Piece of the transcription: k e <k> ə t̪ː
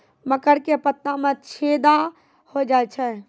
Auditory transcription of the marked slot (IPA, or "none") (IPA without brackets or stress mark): p